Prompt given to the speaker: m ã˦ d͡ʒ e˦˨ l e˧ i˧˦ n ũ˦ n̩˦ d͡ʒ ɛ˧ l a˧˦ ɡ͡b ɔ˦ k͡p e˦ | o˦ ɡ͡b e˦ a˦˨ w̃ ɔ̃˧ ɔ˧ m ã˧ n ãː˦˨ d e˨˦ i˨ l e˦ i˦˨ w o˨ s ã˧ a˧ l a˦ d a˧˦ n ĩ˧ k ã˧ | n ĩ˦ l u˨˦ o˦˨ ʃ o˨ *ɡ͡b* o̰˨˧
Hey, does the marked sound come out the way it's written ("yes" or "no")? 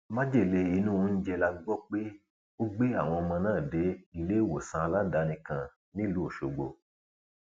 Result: yes